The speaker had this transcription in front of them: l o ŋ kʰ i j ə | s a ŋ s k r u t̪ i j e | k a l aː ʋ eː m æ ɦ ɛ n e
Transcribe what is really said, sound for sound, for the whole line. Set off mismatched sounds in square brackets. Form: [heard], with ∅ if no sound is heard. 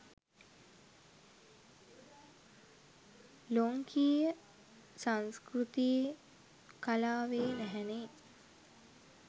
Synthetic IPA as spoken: l o ŋ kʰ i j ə | s a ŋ s k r u t̪ i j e | k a l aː ʋ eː [n] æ ɦ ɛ n e